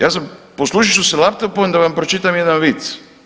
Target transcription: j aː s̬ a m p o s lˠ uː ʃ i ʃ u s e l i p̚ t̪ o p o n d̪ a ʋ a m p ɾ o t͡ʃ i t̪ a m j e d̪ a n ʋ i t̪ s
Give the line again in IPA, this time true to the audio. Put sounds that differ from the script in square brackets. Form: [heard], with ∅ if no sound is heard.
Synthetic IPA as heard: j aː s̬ a m p o s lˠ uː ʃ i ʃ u s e l [a] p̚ t̪ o p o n d̪ a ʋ a m p ɾ o t͡ʃ i t̪ a m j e d̪ a n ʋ i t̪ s